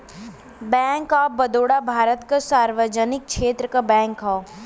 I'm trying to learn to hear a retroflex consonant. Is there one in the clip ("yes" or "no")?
yes